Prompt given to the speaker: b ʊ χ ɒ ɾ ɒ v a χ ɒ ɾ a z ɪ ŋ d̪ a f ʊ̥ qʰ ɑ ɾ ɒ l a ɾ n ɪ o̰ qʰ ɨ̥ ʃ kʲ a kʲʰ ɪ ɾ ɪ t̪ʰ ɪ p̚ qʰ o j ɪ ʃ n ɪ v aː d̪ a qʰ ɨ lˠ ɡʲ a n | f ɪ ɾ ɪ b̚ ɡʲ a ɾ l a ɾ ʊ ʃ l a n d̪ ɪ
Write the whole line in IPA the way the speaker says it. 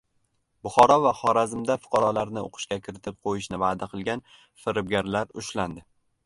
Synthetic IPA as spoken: b ʊ χ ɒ ɾ ɒ v a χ ɒ ɾ a z ɪ m d̪ a f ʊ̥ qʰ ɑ ɾ ɒ l a ɾ n ɪ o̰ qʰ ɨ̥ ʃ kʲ a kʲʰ ɪ ɾ ɪ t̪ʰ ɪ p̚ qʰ o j ɪ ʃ n ɪ v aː d̪ a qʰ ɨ lˠ ɡʲ a n | f ɪ ɾ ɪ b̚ ɡʲ a ɾ l a ɾ ʊ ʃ l a n d̪ ɪ

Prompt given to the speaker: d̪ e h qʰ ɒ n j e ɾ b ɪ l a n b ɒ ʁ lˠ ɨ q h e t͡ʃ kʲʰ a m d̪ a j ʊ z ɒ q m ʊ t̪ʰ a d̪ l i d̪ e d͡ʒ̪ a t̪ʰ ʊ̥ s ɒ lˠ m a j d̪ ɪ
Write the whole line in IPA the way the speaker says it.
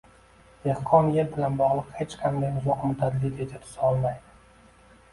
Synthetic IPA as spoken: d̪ e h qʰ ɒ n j e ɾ b ɪ l a n b ɒ ʁ lˠ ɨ q h e t͡ʃ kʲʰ a m d̪ a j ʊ z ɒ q m ʊ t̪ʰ a d̪ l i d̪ e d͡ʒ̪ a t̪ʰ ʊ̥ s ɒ lˠ m a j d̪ ɪ

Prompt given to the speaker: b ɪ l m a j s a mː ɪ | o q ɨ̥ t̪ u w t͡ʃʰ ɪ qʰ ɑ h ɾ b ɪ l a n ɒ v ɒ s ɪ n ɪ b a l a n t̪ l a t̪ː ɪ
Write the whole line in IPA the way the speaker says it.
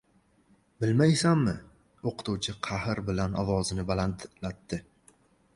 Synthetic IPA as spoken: b ɪ l m a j s a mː ɪ | o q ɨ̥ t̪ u w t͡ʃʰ ɪ qʰ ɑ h ɾ b ɪ l a n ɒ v ɒ z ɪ n ɪ b a l a n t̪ l a t̪ː ɪ

